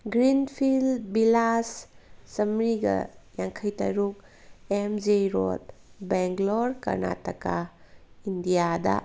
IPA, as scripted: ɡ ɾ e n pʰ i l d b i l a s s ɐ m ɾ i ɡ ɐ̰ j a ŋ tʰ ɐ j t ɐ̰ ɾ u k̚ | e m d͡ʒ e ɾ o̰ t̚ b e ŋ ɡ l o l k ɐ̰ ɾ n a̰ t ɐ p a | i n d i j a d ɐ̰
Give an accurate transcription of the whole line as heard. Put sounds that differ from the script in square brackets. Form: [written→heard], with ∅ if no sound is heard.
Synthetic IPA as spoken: ɡ ɾ [e→i] n pʰ i l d b i l a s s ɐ m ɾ i ɡ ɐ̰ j a ŋ [tʰ→kʰ] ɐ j t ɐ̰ ɾ u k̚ | e m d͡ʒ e ɾ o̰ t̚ b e ŋ ɡ l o [l→ɾ] k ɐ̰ ɾ n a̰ t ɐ [p→k] a | i n d i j a d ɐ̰